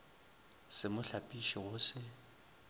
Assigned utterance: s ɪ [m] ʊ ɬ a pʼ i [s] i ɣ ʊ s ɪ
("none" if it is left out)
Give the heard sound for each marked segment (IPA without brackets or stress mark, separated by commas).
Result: m, ʃ